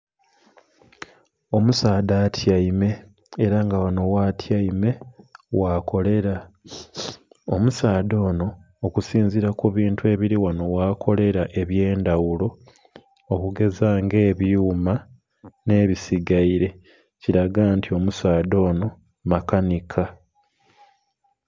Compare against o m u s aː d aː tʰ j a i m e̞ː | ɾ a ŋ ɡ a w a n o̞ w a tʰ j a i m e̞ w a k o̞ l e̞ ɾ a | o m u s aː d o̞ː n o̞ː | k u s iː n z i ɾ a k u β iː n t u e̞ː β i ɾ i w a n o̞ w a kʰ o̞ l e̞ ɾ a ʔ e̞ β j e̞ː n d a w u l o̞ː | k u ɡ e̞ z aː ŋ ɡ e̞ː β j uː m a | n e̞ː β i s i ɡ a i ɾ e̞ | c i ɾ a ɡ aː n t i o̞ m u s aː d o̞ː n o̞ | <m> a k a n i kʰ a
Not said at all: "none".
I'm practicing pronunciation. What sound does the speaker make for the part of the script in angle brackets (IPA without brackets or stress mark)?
m